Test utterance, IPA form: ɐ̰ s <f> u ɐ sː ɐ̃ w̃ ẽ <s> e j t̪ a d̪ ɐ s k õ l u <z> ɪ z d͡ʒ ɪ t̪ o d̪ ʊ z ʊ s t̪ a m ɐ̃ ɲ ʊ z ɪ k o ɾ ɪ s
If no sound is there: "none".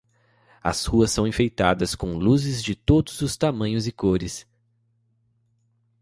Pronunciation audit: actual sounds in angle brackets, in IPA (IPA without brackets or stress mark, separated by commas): h, f, z